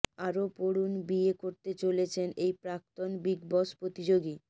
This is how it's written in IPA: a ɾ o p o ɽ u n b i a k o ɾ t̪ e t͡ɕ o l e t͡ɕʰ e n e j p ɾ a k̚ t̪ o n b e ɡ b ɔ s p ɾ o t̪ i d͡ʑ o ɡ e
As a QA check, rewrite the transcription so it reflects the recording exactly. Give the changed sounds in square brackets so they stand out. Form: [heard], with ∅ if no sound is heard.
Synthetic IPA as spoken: a ɾ o p o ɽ u n b i [e] k o ɾ t̪ e t͡ɕ o l e t͡ɕʰ e n e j p ɾ a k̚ t̪ o n b [i] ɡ b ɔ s p ɾ o t̪ i d͡ʑ o ɡ [i]